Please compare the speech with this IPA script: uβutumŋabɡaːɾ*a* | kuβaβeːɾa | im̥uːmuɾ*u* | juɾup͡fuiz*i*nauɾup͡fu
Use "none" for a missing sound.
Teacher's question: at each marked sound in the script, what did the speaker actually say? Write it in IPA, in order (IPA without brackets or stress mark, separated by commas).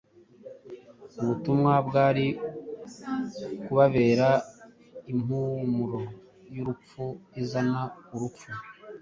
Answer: i, o, a